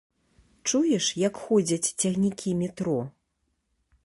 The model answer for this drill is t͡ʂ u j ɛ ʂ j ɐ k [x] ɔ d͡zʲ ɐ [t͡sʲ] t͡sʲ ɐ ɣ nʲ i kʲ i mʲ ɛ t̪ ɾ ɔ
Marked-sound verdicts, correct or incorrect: correct, correct

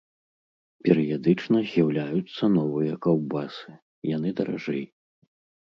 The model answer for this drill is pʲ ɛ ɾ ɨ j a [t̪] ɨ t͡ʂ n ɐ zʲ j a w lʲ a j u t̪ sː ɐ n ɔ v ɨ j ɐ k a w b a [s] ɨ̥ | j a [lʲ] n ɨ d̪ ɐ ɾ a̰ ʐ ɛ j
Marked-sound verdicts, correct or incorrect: incorrect, correct, incorrect

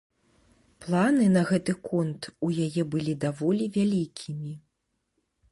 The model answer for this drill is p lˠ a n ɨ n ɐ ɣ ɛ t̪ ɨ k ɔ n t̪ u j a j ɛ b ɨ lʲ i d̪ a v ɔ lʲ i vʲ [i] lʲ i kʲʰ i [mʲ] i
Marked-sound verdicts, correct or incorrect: incorrect, correct

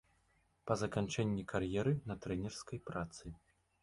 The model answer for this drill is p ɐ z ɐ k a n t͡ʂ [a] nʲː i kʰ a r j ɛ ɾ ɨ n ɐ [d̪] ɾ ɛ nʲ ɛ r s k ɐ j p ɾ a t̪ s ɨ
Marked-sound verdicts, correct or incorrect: incorrect, incorrect

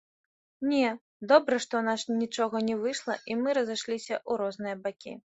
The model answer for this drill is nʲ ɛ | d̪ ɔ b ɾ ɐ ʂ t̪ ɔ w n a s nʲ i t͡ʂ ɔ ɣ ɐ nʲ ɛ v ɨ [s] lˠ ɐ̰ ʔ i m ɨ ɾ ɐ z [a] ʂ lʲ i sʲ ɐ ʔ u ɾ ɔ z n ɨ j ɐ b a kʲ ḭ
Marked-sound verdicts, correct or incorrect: incorrect, correct

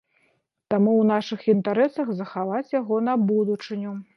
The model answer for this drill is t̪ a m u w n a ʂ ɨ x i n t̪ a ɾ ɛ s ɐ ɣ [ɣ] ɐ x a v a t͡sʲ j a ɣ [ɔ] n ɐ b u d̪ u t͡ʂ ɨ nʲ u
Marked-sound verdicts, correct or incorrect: incorrect, correct

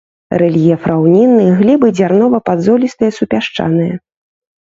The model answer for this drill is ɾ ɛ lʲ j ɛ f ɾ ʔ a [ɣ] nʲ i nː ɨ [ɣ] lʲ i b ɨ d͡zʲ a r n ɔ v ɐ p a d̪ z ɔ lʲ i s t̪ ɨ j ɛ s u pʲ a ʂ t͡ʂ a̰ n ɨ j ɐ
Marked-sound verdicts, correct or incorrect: incorrect, correct

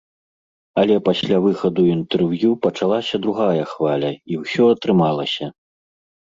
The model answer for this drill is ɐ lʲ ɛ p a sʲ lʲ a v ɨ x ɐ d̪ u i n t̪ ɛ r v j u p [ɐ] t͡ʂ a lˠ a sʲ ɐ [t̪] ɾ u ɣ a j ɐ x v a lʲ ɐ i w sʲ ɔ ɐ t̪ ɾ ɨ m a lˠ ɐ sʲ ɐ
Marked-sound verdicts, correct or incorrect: correct, incorrect

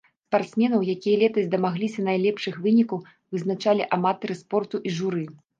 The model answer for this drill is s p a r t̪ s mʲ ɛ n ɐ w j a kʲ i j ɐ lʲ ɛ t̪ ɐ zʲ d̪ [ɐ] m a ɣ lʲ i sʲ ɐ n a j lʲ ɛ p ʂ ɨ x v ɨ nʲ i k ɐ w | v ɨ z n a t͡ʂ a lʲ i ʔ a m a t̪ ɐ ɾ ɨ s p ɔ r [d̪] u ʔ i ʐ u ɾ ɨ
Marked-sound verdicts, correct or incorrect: correct, incorrect

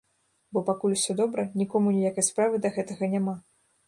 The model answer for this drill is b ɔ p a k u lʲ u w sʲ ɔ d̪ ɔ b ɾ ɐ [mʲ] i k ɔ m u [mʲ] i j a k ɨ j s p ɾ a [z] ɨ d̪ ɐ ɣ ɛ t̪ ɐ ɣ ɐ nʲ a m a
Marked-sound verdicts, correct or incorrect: incorrect, incorrect, incorrect

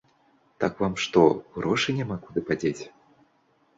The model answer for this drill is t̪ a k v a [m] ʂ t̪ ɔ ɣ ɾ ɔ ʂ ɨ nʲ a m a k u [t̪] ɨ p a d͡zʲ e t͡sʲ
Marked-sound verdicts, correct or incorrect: correct, incorrect

